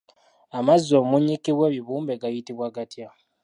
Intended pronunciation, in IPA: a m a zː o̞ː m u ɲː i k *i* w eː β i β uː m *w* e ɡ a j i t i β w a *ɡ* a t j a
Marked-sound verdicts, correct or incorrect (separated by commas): correct, incorrect, correct